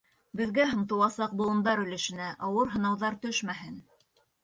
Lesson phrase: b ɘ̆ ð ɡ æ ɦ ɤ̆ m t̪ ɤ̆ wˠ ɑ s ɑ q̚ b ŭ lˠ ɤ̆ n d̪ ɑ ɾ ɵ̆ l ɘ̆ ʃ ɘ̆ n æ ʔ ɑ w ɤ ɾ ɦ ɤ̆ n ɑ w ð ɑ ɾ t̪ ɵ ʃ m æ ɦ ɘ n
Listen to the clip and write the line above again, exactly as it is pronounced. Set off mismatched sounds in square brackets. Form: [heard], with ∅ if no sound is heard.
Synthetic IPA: b ɘ̆ ð ɡ æ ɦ ɤ̆ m t̪ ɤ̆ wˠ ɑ s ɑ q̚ b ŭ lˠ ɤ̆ n d̪ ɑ ɾ ɵ̆ l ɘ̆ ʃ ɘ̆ n æ ʔ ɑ w ɤ ɾ ɦ ɤ̆ n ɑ w ð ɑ ɾ t̪ ɵ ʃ m æ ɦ ɘ n